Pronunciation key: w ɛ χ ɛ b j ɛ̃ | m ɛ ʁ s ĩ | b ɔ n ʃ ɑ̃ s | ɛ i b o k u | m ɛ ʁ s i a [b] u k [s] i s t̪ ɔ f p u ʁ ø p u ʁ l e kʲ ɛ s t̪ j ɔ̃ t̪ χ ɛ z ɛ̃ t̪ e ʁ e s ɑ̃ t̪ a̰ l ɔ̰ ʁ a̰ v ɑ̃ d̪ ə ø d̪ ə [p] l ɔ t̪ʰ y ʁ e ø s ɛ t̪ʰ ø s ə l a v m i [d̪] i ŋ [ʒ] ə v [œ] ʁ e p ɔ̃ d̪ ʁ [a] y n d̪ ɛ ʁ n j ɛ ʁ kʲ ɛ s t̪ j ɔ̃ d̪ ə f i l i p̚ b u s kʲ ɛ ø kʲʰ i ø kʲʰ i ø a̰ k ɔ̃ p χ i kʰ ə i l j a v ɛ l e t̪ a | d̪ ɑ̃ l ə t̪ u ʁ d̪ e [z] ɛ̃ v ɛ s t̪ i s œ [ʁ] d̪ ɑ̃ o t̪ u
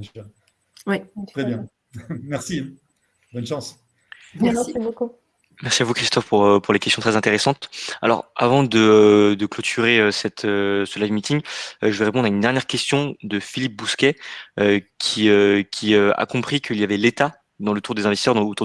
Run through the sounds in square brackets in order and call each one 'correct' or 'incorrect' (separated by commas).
incorrect, incorrect, incorrect, incorrect, correct, incorrect, correct, correct, correct